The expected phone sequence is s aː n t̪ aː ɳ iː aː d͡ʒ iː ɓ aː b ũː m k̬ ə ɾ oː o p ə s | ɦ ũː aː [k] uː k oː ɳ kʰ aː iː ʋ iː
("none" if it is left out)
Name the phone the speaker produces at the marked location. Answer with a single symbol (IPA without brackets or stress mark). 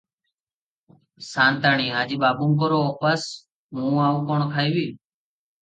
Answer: none